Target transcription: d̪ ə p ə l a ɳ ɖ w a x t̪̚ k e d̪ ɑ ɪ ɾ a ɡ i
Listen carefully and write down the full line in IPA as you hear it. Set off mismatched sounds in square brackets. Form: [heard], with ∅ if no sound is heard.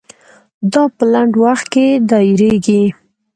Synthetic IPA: d̪ [ɑ] p ə l a ɳ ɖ w a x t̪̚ k e d̪ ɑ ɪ ɾ [e] ɡ i